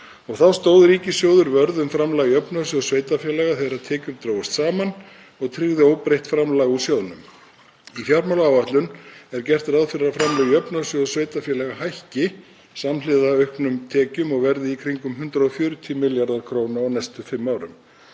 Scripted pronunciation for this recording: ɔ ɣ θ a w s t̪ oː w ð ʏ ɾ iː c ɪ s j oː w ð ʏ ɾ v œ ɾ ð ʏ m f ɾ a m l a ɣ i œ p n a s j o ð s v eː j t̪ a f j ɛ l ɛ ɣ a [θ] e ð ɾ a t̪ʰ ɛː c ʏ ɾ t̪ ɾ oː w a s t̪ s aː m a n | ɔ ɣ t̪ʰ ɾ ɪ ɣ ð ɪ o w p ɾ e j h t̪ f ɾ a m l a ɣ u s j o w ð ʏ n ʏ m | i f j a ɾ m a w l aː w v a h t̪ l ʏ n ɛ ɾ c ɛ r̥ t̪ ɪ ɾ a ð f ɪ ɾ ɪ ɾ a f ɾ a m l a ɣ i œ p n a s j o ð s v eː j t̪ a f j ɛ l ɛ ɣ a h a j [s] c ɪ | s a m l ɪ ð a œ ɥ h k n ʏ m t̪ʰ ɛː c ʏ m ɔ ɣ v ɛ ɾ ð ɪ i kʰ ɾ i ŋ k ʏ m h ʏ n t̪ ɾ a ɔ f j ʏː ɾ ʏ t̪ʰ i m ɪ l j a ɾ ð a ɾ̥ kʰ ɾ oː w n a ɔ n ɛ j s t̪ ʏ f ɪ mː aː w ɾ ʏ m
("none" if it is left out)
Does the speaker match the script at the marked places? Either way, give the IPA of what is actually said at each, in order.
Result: θ, h

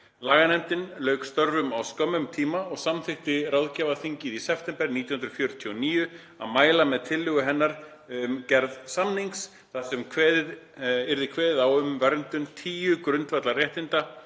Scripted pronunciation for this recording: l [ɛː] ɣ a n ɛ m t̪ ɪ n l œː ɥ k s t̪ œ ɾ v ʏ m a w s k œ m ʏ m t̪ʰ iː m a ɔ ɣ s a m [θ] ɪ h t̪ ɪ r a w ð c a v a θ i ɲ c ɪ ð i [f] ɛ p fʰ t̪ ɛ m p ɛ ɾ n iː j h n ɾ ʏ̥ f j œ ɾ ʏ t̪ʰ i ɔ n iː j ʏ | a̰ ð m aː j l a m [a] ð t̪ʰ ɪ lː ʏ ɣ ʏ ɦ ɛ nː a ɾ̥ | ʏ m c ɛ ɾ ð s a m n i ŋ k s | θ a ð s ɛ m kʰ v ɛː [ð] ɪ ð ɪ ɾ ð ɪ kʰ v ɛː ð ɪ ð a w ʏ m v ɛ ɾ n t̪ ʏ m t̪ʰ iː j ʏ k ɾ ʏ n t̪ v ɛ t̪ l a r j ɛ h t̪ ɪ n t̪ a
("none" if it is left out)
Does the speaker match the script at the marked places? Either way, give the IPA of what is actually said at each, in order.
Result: aː, θ, s, ɛ, ð

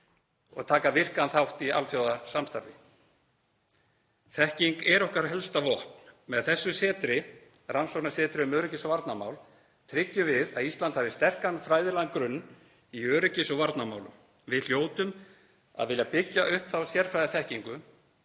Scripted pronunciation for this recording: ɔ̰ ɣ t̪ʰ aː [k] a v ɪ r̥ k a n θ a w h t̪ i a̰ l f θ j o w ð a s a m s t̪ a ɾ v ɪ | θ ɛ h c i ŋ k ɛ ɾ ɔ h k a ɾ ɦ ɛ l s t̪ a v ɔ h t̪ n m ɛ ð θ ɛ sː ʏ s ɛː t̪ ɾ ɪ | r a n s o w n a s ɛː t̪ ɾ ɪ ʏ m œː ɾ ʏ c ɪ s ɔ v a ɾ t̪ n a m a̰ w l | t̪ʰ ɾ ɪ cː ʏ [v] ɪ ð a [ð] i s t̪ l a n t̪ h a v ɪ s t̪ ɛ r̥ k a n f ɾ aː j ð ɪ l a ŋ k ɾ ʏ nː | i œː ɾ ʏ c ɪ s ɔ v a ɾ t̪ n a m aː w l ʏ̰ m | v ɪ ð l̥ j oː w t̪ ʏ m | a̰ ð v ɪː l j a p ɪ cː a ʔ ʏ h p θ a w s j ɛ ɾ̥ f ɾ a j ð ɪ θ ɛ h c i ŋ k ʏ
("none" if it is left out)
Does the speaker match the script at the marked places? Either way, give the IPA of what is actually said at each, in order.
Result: k, v, ð

